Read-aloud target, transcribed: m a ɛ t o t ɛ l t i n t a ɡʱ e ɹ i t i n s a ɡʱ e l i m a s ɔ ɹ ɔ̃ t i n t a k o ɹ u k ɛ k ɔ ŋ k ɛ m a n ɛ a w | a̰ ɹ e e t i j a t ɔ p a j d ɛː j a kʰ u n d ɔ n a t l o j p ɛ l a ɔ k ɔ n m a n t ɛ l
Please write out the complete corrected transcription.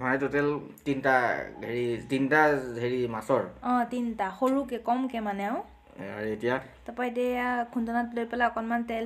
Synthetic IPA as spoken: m a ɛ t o t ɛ l t i n t a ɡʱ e ɹ i t i n t a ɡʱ e ɹ i m a s ɔ ɹ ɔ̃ t i n t a x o ɹ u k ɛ k ɔ m k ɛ m a n ɛ a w | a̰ ɹ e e t i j a t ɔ p a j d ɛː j a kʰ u n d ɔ n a t l o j p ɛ l a ɔ k ɔ n m a n t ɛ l